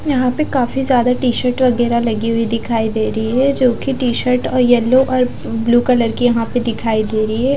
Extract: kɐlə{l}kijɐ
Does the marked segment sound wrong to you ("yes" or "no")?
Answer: yes